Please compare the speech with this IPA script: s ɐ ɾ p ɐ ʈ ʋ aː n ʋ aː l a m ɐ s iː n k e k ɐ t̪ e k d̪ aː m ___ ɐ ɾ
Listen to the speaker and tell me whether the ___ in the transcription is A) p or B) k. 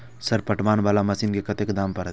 A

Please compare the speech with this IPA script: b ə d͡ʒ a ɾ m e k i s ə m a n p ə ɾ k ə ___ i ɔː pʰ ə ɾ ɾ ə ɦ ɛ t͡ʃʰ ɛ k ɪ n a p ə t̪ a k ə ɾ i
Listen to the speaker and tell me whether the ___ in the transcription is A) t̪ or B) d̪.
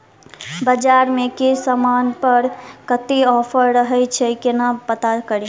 A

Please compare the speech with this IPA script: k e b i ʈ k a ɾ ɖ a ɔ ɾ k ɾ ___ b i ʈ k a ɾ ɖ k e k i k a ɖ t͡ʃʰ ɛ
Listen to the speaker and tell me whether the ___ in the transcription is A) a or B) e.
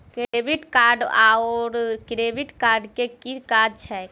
B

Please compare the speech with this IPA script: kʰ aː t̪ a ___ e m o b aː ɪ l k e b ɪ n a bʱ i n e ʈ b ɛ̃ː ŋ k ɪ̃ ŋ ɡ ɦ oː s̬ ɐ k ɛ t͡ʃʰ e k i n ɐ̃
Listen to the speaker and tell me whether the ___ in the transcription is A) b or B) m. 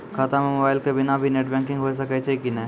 B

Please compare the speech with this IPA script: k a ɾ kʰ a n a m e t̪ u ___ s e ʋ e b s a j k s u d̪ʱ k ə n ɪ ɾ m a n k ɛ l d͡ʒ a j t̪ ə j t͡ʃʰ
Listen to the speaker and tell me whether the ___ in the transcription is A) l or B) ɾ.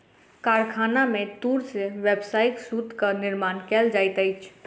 B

